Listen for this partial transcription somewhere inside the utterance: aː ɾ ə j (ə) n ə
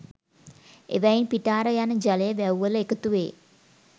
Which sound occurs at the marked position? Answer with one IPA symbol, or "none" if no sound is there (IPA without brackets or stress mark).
a